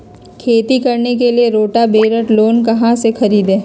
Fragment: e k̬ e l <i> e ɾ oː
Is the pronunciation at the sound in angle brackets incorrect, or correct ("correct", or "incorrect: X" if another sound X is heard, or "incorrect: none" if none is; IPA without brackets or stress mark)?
correct